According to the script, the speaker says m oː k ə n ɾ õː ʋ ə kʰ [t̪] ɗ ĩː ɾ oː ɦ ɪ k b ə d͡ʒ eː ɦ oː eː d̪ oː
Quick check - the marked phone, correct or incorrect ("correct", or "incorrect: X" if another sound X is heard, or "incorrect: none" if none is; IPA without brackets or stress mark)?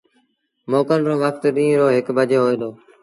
correct